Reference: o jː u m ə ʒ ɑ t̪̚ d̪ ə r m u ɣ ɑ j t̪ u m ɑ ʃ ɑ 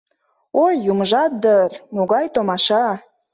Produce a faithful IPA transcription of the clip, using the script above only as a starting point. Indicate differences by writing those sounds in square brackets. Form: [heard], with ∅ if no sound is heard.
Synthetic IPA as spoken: o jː u m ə ʒ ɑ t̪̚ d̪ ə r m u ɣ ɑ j t̪ [o] m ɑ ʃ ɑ